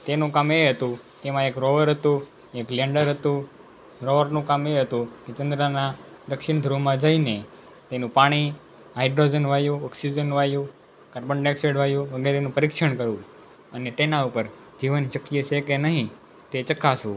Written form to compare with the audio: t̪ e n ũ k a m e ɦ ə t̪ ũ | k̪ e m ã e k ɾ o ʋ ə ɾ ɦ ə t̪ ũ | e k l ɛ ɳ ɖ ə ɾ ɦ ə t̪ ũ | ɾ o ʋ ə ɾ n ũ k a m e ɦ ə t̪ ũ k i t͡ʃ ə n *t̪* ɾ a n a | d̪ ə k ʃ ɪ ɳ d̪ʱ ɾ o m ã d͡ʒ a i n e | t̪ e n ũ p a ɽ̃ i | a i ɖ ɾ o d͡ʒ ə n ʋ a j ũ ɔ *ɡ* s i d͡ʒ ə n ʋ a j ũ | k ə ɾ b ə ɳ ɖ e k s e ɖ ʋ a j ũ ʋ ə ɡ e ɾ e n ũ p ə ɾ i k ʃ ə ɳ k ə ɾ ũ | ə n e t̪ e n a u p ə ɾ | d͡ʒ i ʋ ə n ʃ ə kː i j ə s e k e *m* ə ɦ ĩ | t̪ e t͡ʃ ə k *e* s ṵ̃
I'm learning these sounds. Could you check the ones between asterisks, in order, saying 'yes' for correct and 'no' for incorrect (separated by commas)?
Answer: no, no, no, no